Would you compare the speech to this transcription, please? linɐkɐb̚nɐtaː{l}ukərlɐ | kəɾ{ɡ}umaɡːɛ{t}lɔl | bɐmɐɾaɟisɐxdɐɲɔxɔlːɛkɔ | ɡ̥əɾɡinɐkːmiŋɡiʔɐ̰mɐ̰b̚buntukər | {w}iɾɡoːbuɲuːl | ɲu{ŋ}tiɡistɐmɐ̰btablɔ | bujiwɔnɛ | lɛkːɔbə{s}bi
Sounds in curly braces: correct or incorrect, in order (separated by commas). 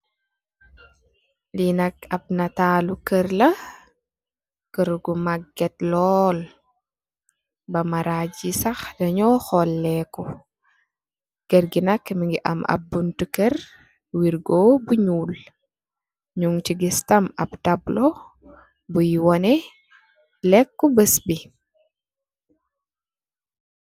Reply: correct, correct, correct, correct, correct, correct